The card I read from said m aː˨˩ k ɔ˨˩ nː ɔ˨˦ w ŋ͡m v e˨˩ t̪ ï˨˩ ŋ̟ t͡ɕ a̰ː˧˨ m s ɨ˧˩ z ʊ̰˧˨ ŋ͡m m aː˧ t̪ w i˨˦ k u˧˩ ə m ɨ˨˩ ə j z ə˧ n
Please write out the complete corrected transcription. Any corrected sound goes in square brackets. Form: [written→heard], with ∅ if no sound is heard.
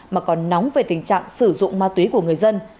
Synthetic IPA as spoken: m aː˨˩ k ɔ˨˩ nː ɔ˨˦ w ŋ͡m v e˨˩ t̪ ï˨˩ ŋ̟ t͡ɕ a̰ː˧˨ [m→ŋ] s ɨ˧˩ z ʊ̰˧˨ ŋ͡m m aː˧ t̪ w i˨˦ k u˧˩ ə [m→ŋ] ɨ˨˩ ə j z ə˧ n